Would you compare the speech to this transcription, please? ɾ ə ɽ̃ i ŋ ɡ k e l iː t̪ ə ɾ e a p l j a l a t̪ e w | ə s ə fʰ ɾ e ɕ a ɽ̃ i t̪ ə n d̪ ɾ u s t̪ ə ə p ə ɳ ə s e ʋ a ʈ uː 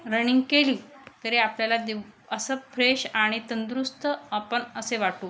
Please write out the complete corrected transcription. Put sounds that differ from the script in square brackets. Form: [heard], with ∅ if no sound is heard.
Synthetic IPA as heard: ɾ ə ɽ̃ i ŋ ɡ k e l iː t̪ ə ɾ e a p l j a l a [d̪] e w | ə s ə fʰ ɾ e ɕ a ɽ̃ i t̪ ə n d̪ ɾ u s t̪ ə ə p ə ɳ ə s e ʋ a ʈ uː